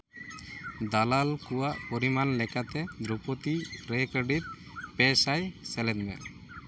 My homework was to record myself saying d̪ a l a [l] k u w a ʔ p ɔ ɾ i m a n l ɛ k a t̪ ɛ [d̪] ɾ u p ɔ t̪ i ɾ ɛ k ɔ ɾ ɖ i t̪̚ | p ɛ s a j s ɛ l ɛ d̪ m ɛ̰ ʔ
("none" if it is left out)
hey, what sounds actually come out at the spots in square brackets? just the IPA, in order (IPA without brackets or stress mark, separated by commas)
l, d̪